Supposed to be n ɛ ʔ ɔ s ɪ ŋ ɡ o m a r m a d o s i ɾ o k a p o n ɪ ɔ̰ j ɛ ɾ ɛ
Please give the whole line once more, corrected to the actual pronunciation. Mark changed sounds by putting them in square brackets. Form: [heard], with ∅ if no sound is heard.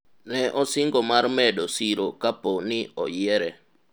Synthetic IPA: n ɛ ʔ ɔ s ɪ ŋ ɡ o m a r m [ɛ] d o s i ɾ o k a p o n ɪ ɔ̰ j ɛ ɾ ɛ